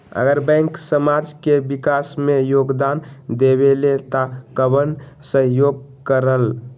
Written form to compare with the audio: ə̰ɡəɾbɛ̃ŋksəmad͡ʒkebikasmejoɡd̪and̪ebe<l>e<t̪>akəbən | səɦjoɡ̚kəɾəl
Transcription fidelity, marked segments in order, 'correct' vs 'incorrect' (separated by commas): correct, correct